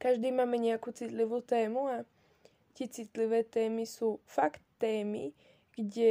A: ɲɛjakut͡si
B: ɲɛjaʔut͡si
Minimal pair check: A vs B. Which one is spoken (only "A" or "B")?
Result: A